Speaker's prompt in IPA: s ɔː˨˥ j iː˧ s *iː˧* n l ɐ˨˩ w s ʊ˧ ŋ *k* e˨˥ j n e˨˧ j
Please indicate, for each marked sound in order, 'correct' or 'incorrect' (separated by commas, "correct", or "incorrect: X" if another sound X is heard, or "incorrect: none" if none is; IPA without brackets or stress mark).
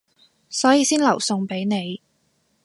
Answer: incorrect: iː˥, incorrect: p